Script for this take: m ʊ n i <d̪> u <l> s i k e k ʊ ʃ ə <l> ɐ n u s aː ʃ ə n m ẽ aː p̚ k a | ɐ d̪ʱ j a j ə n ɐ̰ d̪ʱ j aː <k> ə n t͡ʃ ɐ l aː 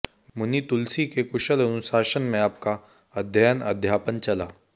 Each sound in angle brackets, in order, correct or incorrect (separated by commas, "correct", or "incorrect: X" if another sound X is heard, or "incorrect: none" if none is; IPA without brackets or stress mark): incorrect: t̪, correct, correct, incorrect: p